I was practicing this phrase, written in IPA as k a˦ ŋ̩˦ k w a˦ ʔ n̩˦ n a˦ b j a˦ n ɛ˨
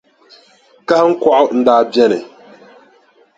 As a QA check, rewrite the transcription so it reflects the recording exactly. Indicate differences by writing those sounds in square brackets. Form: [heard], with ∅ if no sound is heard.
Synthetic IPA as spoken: k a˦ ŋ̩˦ k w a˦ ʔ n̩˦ [d] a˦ b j [ɛ˦] n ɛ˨